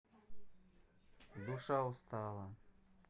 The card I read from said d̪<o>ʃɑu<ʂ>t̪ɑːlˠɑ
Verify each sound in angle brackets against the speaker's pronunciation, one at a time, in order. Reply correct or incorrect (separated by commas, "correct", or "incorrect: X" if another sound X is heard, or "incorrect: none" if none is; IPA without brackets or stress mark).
incorrect: u, incorrect: s